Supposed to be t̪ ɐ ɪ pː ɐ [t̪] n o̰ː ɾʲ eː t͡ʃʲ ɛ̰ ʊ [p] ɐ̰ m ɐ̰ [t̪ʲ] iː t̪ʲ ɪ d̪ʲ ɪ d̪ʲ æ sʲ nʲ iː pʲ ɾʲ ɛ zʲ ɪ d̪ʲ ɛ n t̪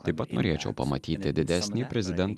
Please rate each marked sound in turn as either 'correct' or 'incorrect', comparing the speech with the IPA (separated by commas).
correct, correct, correct